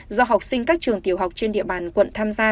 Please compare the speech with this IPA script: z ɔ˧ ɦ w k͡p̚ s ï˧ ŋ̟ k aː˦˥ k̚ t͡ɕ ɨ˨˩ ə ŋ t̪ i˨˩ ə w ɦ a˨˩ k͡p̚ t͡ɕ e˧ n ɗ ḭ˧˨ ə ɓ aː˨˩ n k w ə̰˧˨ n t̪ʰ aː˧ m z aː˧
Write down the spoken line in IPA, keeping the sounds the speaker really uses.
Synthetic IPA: z ɔ˧ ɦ w k͡p̚ s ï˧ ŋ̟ k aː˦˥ k̚ t͡ɕ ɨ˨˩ ə ŋ t̪ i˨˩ ə w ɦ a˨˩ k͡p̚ t͡ɕ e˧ n ɗ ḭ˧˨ ə ɓ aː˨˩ n k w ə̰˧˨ n t̪ʰ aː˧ m z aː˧

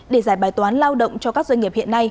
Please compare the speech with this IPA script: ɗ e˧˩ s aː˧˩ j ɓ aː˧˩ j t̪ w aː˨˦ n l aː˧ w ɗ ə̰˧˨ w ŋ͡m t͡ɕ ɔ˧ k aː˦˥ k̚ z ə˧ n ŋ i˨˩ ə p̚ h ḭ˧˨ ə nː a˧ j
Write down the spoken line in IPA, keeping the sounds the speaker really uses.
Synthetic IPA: ɗ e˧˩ z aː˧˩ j ɓ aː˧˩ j t̪ w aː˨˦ n l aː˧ w ɗ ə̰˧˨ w ŋ͡m t͡ɕ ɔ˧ k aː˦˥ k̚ z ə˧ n ŋ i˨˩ ə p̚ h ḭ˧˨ ə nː a˧ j

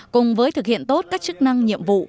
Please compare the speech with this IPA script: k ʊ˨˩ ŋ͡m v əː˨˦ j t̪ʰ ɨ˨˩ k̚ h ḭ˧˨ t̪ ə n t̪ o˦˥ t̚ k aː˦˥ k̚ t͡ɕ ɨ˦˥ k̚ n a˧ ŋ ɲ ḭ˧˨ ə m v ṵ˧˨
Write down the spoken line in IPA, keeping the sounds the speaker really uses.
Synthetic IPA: k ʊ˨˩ ŋ͡m v əː˨˦ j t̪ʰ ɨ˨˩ k̚ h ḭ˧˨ ə n t̪ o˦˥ t̚ k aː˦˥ k̚ t͡ɕ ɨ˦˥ k̚ n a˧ ŋ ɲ ḭ˧˨ ə m v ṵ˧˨

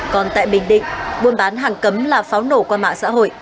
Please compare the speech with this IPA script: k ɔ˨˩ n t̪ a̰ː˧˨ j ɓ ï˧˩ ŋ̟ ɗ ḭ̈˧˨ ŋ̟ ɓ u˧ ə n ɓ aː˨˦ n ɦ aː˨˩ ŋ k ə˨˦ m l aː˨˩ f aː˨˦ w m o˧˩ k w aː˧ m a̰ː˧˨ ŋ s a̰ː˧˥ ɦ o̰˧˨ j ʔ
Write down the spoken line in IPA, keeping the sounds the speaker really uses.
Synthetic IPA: k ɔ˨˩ n t̪ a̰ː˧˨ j ɓ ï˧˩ ŋ̟ ɗ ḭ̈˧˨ ŋ̟ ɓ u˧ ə n ɓ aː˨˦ n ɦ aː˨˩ ŋ k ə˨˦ m l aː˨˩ f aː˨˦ w n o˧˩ k w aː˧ m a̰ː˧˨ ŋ s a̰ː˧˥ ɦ o̰˧˨ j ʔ

